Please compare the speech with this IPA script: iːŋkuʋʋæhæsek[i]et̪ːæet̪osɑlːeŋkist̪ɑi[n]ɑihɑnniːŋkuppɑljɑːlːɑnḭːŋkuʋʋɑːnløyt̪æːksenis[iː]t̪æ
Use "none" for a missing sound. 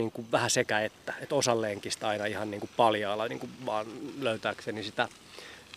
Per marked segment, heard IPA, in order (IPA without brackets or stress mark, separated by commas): æ, n, i